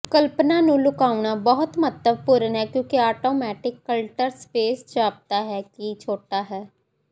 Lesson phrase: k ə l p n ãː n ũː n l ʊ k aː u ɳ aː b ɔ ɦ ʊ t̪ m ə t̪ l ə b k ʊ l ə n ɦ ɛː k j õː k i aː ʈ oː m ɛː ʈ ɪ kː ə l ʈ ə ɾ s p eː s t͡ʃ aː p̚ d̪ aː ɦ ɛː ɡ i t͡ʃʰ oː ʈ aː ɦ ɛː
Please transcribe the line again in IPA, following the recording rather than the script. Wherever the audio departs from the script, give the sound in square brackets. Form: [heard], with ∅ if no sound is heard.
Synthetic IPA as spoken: k ə l p n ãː n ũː [∅] l ʊ k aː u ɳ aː b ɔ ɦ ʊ t̪ m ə t̪ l ə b [p] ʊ [ɾ] ə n ɦ ɛː k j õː k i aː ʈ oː m ɛː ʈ ɪ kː ə l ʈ ə ɾ s p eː s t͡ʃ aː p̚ [t̪] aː ɦ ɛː [k] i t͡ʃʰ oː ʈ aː ɦ ɛː